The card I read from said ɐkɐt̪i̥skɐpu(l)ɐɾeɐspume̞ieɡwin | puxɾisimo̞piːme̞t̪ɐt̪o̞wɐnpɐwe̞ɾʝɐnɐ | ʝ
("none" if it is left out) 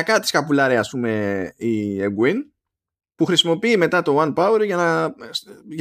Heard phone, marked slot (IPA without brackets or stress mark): l